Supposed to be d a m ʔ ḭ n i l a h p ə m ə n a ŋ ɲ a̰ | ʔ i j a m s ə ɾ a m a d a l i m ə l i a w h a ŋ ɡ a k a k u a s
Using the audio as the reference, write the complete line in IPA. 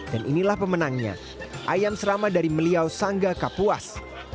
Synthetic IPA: d a n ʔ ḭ n i l a h p ə m ə n a ŋ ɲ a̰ | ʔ a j a m s ə ɾ a m a d a ɾ i m ə l i a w s a ŋ ɡ a k a p u a s